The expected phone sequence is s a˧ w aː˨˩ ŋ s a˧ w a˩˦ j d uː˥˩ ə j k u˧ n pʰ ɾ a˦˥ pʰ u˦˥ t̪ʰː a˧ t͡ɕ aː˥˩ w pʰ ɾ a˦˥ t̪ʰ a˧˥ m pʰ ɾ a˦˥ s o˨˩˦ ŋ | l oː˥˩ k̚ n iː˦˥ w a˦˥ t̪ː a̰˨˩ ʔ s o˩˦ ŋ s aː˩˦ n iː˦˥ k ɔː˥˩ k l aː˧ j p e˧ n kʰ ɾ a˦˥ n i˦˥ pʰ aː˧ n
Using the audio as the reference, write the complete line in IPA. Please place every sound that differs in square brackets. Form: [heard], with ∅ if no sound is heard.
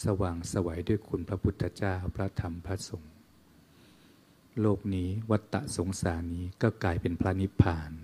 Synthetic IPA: s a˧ w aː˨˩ ŋ s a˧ w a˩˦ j d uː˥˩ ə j [kʰ] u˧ n pʰ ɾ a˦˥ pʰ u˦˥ t̪ʰː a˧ t͡ɕ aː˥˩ w pʰ ɾ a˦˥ t̪ʰ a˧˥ m pʰ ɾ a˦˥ s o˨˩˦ ŋ | l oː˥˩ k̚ n iː˦˥ w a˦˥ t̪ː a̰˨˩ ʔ s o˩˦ ŋ s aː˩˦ n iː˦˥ k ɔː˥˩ k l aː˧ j p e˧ n [pʰ] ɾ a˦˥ n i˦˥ pʰ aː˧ n